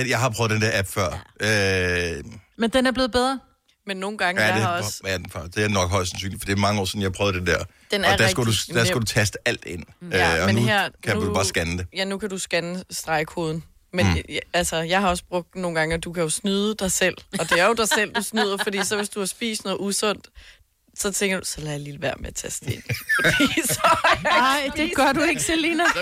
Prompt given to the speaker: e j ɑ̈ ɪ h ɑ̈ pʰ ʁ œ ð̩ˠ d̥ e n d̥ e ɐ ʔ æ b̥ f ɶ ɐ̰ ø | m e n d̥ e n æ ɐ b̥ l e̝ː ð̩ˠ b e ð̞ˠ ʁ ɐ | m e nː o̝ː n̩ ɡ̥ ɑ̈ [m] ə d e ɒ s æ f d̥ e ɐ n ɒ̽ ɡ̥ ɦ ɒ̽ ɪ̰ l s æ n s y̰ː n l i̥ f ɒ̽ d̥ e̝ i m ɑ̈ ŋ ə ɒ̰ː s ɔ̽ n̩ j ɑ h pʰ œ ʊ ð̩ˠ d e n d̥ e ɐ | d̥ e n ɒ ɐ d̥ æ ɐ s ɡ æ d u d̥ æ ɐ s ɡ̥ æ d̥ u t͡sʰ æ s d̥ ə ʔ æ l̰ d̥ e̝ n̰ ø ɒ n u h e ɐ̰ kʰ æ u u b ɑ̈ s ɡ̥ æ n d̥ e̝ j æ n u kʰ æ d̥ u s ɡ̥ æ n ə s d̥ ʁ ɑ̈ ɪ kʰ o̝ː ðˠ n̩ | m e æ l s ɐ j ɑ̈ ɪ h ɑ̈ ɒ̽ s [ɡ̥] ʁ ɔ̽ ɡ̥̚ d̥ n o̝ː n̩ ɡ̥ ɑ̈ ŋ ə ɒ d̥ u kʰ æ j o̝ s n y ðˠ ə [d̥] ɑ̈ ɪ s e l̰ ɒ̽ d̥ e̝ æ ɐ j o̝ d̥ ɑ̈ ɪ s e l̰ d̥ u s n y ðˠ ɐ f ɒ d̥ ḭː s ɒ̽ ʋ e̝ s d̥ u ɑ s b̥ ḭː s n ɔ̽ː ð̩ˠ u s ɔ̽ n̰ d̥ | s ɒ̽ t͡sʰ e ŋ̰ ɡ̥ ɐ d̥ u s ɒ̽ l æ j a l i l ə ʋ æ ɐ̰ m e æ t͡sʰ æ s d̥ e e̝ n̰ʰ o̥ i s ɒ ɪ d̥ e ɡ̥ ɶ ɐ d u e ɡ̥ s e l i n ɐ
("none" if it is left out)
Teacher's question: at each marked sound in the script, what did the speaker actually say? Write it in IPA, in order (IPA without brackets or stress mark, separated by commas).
ŋ, b̥, d̥